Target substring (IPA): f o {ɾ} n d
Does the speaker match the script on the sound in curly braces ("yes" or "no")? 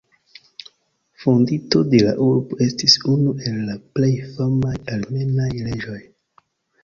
no